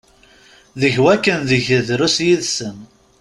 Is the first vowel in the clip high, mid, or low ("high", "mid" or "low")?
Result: mid